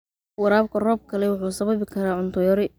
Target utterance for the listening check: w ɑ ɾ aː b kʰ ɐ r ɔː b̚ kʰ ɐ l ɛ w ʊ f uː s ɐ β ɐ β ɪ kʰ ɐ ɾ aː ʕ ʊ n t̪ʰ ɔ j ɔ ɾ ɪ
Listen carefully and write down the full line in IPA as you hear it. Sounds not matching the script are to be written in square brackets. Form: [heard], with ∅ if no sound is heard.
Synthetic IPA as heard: w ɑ ɾ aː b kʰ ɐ r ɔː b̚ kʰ ɐ l ɛ w ʊ [ħ] uː s ɐ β ɐ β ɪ kʰ ɐ ɾ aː ʕ ʊ n t̪ʰ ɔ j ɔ ɾ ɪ